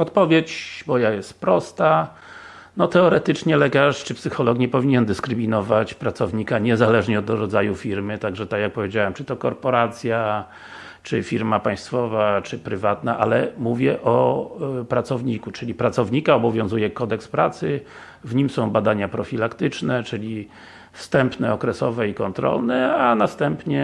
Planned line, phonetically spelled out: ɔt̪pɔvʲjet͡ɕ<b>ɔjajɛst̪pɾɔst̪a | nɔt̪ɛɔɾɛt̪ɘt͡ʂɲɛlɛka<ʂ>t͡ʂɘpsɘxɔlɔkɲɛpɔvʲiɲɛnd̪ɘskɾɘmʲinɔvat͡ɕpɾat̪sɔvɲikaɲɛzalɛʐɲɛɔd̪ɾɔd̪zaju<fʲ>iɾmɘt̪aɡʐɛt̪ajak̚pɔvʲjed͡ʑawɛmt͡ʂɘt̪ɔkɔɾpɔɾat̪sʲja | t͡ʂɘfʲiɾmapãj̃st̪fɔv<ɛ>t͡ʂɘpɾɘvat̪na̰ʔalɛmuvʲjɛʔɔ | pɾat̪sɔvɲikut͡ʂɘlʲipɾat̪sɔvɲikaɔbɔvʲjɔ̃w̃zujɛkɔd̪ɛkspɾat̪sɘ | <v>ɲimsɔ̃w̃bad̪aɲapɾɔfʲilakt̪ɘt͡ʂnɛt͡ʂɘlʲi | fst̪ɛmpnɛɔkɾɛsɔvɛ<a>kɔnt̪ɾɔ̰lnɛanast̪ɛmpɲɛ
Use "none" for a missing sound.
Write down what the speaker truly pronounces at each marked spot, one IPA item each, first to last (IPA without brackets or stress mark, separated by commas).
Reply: b, ʂ, fʲ, a, v, i